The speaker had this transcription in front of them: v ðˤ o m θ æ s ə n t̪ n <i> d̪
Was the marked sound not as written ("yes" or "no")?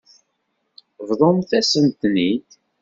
no